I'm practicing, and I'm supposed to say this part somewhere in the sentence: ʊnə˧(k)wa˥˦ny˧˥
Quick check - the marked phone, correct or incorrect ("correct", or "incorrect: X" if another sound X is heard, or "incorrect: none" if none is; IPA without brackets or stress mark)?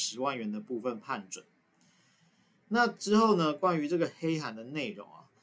correct